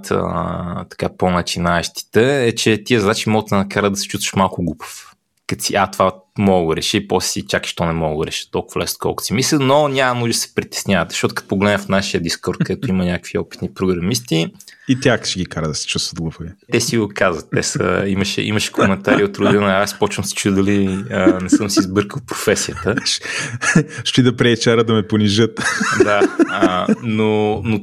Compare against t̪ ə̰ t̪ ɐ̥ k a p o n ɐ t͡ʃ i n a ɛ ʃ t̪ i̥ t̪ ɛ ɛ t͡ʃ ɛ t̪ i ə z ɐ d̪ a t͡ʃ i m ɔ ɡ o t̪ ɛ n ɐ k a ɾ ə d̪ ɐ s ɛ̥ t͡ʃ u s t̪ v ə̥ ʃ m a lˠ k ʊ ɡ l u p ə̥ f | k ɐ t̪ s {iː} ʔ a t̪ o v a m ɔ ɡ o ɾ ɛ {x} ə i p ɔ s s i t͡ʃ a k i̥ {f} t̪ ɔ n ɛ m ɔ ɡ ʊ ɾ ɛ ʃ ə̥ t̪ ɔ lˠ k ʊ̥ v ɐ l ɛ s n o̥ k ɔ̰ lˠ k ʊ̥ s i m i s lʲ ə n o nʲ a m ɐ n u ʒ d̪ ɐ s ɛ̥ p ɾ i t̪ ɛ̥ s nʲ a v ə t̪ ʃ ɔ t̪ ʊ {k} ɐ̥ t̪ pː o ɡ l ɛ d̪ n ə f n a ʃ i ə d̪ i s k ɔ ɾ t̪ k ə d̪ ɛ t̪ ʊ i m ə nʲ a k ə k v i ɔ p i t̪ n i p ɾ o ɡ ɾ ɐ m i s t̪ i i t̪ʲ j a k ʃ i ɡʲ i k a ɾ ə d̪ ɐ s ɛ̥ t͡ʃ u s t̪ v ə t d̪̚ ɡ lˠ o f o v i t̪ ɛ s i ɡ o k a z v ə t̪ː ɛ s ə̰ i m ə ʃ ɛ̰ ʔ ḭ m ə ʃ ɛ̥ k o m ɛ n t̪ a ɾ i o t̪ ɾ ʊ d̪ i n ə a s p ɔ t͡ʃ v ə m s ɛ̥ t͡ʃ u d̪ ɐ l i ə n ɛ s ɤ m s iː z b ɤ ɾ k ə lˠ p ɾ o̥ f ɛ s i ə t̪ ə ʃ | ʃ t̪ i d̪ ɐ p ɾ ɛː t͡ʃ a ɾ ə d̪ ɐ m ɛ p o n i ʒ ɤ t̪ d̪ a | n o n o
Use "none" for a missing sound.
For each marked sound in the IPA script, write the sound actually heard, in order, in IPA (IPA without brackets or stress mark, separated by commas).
i, ʃ, ʃ, k